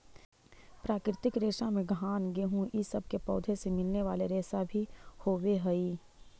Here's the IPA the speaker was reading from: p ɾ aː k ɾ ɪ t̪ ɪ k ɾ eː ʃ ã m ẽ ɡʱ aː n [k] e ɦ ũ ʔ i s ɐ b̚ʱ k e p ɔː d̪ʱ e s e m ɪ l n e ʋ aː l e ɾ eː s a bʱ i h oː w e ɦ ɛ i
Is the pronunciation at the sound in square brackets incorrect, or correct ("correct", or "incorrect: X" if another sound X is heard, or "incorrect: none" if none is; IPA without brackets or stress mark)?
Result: incorrect: ɡ